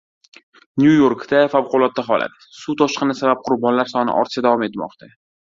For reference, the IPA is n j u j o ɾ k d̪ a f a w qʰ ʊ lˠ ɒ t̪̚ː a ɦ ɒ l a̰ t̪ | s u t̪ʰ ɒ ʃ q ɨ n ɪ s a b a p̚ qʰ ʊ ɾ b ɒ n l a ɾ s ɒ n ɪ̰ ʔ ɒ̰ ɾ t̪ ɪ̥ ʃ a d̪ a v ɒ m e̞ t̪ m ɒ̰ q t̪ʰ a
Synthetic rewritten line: n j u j o ɾ k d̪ a f a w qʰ ʊ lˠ ɒ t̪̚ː a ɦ ɒ l a̰ t̪ | s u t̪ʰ ɒ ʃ q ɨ n ɪ s a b a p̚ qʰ ʊ ɾ b ɒ n l a ɾ s ɒ n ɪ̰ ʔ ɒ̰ ɾ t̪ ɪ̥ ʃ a d̪ a v ɒ m e̞ t̪ m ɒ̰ q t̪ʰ a